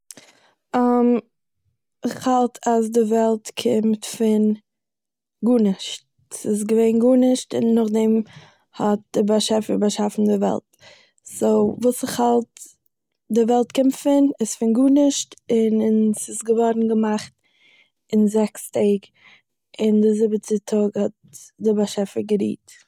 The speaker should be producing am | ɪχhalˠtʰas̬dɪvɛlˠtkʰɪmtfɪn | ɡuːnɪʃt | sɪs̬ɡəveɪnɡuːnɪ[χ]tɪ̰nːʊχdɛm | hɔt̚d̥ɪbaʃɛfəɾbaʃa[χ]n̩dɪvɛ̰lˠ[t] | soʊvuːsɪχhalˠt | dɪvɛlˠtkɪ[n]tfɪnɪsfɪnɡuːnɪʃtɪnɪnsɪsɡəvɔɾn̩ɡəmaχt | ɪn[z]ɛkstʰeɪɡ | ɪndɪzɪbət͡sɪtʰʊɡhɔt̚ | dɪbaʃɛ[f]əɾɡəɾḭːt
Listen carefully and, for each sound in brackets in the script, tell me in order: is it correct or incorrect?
incorrect: ʃ, incorrect: f, correct, incorrect: m, correct, correct

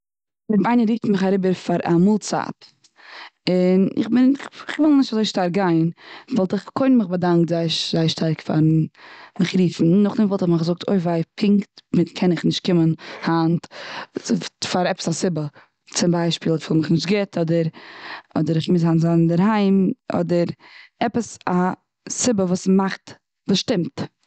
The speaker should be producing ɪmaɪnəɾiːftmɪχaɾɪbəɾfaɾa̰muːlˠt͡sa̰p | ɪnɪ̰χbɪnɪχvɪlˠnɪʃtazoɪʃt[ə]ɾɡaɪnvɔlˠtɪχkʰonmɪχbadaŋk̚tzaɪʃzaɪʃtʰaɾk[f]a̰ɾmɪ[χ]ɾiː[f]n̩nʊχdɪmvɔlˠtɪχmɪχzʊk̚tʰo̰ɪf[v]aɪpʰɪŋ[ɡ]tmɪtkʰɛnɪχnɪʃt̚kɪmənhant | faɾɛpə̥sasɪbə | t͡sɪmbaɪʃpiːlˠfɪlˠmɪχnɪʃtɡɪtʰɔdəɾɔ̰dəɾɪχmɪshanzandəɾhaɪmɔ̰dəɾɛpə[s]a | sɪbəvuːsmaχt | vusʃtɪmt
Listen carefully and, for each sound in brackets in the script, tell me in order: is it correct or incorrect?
incorrect: a, correct, correct, correct, correct, incorrect: k, correct

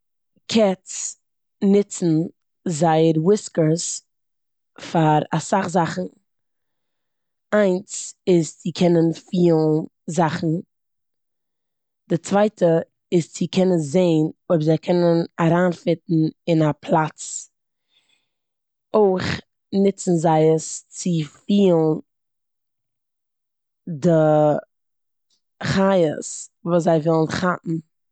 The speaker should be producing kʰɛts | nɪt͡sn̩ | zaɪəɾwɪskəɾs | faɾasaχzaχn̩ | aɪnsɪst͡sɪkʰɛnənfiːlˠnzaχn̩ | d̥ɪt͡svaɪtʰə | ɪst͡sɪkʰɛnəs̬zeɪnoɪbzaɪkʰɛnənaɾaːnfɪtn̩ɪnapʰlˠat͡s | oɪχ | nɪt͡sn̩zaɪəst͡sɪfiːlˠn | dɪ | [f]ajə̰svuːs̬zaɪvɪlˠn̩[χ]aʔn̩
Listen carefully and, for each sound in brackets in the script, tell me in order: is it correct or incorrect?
incorrect: χ, correct

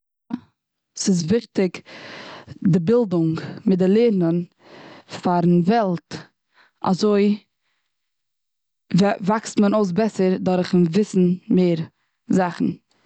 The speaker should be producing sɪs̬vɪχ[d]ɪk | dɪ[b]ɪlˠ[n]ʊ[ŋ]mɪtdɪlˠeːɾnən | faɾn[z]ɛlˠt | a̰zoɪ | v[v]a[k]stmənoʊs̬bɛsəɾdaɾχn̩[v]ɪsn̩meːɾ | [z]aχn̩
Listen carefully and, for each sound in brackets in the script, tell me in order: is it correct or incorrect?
incorrect: t, correct, incorrect: d, correct, incorrect: v, correct, correct, correct, correct

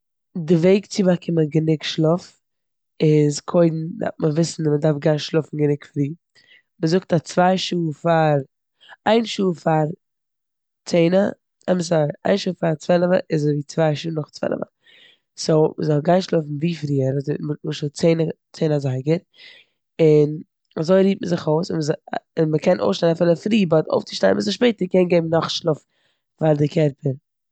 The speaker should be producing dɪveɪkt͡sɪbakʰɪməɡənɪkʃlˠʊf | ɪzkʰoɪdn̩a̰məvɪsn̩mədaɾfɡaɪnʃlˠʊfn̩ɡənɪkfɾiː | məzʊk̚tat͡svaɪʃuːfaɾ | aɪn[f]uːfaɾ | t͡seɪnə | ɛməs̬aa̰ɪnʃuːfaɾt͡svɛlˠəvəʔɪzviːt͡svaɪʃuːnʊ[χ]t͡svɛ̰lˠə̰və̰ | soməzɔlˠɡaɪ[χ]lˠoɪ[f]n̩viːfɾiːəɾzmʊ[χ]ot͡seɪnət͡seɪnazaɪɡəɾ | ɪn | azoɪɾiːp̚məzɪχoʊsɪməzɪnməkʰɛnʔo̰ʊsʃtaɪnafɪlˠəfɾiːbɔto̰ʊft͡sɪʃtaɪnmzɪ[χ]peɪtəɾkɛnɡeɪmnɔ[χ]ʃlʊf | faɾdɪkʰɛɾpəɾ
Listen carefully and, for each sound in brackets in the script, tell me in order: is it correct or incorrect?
incorrect: ʃ, correct, incorrect: ʃ, correct, incorrect: ʃ, incorrect: ʃ, correct

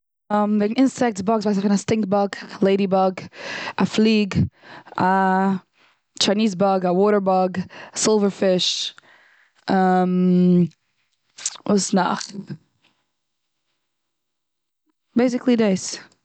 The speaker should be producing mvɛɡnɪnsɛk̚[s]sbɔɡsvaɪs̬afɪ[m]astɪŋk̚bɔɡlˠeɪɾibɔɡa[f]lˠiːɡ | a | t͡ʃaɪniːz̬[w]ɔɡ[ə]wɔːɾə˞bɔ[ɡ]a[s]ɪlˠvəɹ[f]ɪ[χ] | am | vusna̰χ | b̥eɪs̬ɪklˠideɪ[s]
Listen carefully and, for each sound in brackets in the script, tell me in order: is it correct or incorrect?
incorrect: t, incorrect: n, correct, incorrect: b, incorrect: a, correct, correct, correct, incorrect: ʃ, correct

